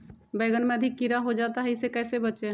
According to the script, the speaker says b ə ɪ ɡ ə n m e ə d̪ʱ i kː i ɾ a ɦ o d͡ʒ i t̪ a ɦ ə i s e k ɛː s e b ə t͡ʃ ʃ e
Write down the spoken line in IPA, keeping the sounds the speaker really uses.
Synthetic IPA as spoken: b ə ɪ ɡ ə n m e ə d̪ʱ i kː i ɾ a ɦ o d͡ʒ a t̪ a ɦ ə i s e k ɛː s e b ə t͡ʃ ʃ e